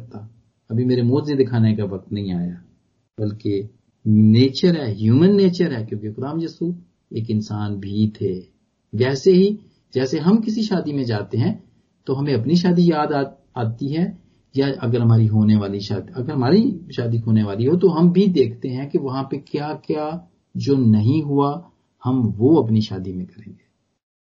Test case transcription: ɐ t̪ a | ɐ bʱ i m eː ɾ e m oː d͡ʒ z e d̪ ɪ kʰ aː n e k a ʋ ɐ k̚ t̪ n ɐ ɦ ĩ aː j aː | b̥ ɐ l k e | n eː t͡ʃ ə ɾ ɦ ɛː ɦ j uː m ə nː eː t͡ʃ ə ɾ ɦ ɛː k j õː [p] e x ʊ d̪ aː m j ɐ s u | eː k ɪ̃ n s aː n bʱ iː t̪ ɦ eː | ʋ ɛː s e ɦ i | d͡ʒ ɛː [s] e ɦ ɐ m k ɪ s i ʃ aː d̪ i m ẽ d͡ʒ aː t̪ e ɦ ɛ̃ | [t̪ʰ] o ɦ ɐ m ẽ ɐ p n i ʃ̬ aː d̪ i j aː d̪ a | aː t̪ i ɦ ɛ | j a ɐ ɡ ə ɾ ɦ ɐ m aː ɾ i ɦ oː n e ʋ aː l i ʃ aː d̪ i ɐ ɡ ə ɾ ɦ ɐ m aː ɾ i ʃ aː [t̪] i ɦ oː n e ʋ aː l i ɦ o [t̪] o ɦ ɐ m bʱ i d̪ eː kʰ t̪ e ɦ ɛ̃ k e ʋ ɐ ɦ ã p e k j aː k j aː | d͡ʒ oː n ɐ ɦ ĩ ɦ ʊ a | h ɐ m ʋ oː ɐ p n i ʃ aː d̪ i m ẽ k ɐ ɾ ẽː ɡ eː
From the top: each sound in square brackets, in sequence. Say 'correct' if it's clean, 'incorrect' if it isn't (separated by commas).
incorrect, correct, incorrect, incorrect, correct